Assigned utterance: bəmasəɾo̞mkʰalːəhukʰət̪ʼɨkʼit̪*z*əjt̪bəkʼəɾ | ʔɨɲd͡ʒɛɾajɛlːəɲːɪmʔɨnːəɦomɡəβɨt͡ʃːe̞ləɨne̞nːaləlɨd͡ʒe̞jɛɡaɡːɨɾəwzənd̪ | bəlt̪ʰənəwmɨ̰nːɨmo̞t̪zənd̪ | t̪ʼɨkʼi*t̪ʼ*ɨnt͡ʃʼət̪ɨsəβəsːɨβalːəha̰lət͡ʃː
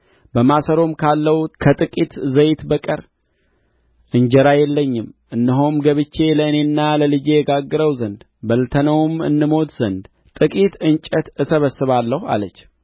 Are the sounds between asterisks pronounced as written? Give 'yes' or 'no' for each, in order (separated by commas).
yes, no